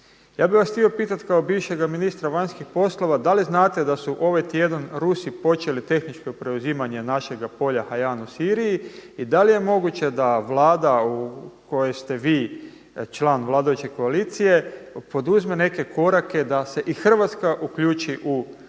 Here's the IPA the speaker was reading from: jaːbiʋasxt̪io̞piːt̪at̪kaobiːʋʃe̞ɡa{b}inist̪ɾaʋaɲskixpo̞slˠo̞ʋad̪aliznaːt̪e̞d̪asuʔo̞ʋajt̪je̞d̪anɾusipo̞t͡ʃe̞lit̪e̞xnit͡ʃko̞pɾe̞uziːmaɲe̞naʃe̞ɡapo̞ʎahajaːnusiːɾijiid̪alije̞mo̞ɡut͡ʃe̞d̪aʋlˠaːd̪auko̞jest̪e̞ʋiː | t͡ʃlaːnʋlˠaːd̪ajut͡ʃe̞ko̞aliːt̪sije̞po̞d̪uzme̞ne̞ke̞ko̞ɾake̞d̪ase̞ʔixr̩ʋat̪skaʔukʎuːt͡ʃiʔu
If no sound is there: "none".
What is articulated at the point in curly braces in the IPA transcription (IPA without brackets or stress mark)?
m